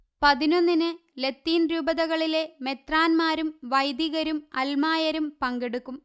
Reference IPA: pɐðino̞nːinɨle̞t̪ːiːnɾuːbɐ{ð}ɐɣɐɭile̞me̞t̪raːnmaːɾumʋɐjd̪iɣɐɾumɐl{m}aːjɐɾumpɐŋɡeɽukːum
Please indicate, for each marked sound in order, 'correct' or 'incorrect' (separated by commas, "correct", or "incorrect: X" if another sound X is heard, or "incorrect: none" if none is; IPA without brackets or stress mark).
correct, correct